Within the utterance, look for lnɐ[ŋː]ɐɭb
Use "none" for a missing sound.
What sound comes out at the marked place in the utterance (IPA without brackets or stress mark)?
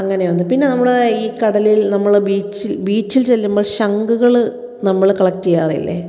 mː